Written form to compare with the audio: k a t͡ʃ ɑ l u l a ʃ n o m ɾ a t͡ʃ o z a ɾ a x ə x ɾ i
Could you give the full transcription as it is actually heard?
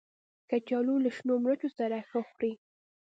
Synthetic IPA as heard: k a t͡ʃ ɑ l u l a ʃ n o m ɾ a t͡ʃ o s a ɾ a x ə x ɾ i

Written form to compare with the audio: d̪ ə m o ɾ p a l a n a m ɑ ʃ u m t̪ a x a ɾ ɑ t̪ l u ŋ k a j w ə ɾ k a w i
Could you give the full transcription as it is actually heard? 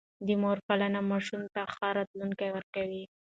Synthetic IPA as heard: d̪ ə m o ɾ p a l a n a m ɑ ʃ u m t̪ a x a ɾ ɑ t̪ l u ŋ k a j w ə ɾ k a w i

